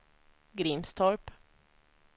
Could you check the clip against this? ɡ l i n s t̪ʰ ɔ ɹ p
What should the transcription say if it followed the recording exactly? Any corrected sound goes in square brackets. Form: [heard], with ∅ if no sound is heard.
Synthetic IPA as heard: ɡ [ɾ] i [m] s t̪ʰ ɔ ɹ p